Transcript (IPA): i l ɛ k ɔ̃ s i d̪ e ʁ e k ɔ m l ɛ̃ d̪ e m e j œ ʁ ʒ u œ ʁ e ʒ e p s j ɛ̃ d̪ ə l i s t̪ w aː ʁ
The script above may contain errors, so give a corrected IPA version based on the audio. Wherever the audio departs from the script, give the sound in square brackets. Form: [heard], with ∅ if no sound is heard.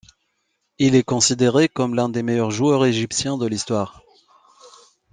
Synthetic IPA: i l ɛ k ɔ̃ s i d̪ e ʁ e k ɔ m l ɛ̃ d̪ e m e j œ ʁ ʒ u œ ʁ e ʒ [i] p s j ɛ̃ d̪ ə l i s t̪ w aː ʁ